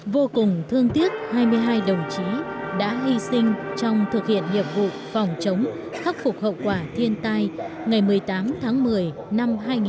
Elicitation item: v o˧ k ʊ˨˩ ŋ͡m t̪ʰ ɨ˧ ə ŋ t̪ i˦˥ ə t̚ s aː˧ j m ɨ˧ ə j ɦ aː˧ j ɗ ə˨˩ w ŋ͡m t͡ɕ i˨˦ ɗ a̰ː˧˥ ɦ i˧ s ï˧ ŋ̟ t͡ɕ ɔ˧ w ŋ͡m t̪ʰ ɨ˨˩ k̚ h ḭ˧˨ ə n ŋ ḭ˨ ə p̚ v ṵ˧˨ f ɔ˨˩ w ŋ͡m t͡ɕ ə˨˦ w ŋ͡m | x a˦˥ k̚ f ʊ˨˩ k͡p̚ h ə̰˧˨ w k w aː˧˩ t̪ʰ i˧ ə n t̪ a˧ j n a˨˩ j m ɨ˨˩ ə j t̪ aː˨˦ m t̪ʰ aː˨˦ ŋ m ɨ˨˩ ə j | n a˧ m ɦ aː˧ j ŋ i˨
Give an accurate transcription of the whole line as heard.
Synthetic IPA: v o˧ k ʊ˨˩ ŋ͡m t̪ʰ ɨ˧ ə ŋ t̪ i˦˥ ə t̚ h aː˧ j m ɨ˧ ə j ɦ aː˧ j ɗ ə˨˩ w ŋ͡m t͡ɕ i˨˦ ɗ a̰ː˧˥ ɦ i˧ s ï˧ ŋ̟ t͡ɕ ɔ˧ w ŋ͡m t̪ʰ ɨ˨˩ k̚ h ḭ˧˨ ə n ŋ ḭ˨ ə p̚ v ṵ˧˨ f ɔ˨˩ w ŋ͡m t͡ɕ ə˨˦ w ŋ͡m | x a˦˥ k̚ f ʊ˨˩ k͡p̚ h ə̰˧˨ w k w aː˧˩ t̪ʰ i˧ ə n t̪ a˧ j ŋ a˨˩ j m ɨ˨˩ ə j t̪ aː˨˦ m t̪ʰ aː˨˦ ŋ m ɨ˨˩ ə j | n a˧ m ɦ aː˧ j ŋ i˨

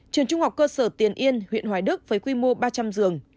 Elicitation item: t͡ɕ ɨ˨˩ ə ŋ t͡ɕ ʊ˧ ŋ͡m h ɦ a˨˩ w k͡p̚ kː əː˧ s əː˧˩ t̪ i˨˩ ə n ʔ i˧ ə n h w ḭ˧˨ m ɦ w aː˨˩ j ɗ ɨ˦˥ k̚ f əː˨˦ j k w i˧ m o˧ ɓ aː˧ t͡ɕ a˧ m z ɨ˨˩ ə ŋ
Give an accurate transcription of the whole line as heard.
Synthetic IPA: t͡ɕ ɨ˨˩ ə ŋ t͡ɕ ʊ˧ ŋ͡m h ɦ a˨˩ w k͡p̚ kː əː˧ s əː˧˩ t̪ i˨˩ ə n ʔ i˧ ə n h w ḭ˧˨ n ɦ w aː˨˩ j ɗ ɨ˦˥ k̚ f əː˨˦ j k w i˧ m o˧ ɓ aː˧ t͡ɕ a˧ m z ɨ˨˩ ə ŋ

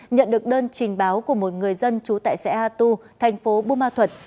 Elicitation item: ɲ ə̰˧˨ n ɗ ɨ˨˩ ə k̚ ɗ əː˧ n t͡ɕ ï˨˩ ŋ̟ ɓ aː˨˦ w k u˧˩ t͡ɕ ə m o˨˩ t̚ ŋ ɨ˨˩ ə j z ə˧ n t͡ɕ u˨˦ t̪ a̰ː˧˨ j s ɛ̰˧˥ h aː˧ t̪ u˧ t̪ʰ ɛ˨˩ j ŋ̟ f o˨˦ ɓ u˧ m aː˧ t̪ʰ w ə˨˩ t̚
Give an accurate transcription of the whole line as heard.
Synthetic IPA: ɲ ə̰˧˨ n ɗ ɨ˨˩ ə k̚ ɗ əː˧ n t͡ɕ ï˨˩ ŋ̟ ɓ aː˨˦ w k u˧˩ ə m o˨˩ t̚ ŋ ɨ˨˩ ə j z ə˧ n t͡ɕ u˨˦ t̪ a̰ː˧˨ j s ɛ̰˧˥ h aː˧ t̪ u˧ t̪ʰ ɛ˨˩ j ŋ̟ f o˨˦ ɓ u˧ m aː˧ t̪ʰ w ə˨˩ t̚

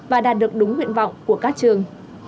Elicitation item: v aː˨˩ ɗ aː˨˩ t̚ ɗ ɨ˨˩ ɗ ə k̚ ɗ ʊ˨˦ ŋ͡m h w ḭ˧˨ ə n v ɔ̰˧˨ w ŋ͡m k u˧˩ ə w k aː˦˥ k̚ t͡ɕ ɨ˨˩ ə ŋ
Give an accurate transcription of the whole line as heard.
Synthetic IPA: v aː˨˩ ɗ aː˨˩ t̚ ɗ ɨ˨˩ ə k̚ ɗ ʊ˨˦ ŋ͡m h w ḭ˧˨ ə n v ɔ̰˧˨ w ŋ͡m k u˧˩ ə k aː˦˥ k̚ t͡ɕ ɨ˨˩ ə ŋ

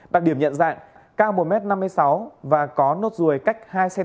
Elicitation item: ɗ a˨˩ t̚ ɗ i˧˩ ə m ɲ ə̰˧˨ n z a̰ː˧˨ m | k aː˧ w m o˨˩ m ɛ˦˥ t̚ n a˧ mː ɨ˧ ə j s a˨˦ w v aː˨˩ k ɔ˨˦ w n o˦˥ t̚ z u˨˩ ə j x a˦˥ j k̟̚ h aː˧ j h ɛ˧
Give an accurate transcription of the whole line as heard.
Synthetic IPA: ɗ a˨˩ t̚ ɗ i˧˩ ə m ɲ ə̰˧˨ n z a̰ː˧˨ ŋ | k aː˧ w m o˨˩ m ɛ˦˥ t̚ n a˧ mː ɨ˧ ə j s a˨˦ w v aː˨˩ k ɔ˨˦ n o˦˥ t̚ z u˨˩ ə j k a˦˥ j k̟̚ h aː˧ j s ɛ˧

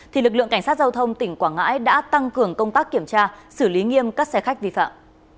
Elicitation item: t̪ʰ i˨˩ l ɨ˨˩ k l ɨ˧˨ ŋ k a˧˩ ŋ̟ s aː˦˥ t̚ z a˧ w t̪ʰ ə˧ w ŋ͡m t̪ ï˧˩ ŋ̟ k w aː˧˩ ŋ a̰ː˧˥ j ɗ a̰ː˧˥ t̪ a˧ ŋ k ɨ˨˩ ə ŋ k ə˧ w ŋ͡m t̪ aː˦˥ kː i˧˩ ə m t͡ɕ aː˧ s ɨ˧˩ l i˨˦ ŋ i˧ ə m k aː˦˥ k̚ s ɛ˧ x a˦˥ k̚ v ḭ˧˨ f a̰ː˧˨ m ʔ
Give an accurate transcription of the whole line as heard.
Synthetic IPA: t̪ʰ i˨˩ l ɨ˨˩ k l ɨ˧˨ ŋ k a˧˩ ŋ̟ s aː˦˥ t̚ z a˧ w t̪ʰ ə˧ w ŋ͡m t̪ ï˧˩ ŋ̟ k w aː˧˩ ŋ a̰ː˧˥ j ɗ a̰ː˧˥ t̪ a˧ ŋ k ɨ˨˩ ə ŋ k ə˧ w ŋ͡m t̪ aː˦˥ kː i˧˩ ə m t͡ɕ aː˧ s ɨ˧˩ l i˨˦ ŋ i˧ ə m k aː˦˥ k̚ s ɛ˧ x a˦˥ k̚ v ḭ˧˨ f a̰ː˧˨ m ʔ

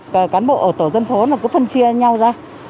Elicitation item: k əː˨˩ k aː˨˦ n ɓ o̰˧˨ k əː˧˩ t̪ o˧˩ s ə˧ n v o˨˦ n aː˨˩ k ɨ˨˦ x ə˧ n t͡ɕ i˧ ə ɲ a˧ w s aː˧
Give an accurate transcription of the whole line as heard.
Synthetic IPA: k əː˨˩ k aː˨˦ n ɓ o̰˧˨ ʔ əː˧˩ t̪ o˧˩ z ə˧ n f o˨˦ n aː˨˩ k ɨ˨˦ f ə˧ n t͡ɕ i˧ ə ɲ a˧ w z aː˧

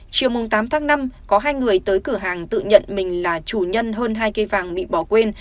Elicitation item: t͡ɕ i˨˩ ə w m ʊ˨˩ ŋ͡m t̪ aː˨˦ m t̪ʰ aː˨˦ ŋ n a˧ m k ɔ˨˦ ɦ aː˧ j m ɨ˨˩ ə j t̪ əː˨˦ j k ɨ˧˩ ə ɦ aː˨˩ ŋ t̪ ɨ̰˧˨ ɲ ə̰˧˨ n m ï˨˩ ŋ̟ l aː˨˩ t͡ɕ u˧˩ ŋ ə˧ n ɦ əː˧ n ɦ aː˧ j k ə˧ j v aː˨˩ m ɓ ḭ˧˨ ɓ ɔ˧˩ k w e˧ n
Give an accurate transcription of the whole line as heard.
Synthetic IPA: t͡ɕ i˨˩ ə w m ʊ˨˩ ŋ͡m t̪ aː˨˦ m t̪ʰ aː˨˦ ŋ n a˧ m k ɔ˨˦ ɦ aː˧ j ŋ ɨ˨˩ ə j t̪ əː˨˦ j k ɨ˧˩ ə ɦ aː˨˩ ŋ t̪ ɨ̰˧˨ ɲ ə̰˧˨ n m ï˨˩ ŋ̟ l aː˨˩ t͡ɕ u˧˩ ɲ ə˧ n ɦ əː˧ n ɦ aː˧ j k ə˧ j v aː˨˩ ŋ ɓ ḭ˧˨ ɓ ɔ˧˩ k w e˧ n

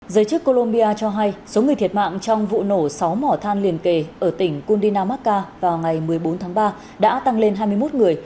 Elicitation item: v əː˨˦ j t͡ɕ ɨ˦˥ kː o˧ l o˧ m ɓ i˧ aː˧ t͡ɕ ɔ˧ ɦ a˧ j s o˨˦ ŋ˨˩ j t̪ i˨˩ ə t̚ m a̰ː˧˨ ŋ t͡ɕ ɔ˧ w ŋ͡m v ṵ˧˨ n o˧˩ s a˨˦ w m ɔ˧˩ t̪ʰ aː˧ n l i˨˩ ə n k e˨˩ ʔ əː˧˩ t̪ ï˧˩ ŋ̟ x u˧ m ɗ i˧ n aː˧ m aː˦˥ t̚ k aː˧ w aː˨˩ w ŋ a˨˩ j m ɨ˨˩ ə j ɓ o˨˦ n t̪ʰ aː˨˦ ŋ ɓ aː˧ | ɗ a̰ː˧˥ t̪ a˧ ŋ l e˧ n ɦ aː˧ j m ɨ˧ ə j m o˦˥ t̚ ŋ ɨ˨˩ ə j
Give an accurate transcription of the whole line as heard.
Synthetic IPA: z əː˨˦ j t͡ɕ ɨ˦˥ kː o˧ l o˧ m ɓ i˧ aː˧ t͡ɕ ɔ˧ ɦ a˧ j s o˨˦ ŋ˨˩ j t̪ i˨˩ ə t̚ m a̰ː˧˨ ŋ t͡ɕ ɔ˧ w ŋ͡m v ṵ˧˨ n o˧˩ s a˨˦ w m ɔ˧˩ t̪ʰ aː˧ n l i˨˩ ə n k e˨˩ ʔ əː˧˩ t̪ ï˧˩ ŋ̟ k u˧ n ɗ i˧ n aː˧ m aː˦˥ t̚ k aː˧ v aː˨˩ w ŋ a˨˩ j m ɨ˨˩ ə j ɓ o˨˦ n t̪ʰ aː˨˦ ŋ ɓ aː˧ | ɗ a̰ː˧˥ t̪ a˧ ŋ l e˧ n ɦ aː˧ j m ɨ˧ ə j m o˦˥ t̚ ŋ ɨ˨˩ ə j

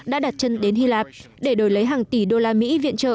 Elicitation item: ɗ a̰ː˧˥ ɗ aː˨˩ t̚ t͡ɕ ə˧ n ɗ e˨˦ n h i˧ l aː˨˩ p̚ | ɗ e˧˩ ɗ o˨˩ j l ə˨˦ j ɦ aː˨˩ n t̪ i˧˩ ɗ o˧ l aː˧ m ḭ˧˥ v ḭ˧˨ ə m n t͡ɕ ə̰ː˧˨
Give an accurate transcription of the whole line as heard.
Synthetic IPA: ɗ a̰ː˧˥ ɗ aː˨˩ t̚ t͡ɕ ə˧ n ɗ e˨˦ n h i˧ l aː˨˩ p̚ | ɗ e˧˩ ɗ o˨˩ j l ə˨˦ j ɦ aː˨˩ ŋ t̪ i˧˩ ɗ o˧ l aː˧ m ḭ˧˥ v ḭ˧˨ ə n t͡ɕ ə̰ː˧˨

